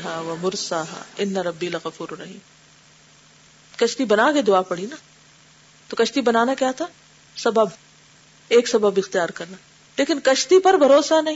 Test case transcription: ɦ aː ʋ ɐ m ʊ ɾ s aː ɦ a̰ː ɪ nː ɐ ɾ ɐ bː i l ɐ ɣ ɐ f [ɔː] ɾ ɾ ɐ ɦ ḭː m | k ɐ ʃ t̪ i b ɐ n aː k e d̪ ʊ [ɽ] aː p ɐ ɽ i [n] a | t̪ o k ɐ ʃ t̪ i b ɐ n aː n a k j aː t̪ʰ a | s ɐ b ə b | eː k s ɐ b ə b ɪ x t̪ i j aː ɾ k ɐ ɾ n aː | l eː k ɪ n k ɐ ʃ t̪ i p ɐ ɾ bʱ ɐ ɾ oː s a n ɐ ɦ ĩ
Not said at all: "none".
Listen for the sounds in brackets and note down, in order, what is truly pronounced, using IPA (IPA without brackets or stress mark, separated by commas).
uː, none, n